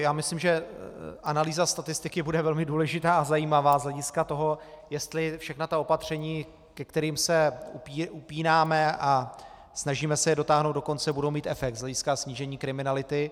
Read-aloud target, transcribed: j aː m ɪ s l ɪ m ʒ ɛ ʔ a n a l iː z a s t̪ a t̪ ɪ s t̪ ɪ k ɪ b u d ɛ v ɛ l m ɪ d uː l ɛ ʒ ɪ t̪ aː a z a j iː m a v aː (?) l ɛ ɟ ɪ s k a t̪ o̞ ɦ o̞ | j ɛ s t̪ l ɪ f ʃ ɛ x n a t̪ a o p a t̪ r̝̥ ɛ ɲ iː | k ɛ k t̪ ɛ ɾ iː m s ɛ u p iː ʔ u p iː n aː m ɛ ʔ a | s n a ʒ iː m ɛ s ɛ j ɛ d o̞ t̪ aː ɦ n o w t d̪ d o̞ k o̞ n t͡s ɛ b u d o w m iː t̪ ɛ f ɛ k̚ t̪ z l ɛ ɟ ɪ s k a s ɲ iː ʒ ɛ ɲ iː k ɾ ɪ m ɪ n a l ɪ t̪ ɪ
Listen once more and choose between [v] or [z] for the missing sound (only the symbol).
z